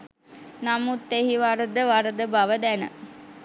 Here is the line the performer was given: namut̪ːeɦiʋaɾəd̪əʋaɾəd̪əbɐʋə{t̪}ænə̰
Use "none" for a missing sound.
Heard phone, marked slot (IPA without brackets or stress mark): d̪